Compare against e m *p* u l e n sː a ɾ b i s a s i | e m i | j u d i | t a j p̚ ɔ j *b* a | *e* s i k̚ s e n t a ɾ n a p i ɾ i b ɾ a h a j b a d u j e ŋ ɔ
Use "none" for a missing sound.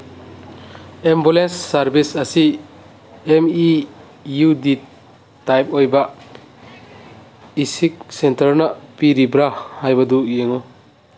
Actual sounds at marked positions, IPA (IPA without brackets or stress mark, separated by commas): b, b, i